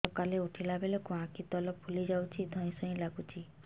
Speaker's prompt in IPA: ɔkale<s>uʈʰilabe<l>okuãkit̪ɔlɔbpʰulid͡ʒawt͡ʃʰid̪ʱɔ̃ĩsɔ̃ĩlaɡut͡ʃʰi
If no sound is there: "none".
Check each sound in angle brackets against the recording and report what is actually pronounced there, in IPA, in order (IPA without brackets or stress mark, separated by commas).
none, l